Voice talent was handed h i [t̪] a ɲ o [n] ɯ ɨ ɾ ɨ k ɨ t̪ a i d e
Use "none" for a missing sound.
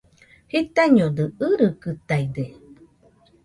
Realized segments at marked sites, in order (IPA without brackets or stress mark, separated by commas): t̪, d